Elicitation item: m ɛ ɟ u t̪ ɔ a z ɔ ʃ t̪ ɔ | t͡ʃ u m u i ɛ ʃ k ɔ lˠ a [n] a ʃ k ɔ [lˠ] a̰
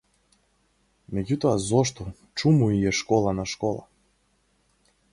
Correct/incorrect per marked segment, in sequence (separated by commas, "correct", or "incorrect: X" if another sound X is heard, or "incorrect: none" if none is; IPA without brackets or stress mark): correct, correct